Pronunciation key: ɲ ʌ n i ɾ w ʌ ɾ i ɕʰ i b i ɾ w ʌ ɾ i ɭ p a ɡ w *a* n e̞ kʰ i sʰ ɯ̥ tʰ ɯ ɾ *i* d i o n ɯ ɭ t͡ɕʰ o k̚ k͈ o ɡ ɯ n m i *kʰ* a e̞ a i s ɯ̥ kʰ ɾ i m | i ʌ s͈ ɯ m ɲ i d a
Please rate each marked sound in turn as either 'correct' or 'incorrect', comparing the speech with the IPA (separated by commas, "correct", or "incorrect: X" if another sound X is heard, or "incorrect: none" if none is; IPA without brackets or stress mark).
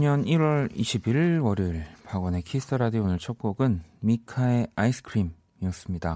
incorrect: ʌ, incorrect: a, correct